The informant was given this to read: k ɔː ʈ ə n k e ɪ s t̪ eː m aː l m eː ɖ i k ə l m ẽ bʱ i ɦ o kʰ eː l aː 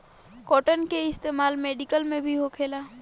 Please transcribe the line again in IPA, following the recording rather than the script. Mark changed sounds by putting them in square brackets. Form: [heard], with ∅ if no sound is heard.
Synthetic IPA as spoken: k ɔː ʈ ə n k e ɪ s t̪ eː m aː l m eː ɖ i k ə l m ẽ bʱ i ɦ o kʰ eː l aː